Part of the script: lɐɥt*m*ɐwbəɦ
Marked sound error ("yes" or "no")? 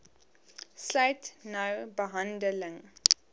yes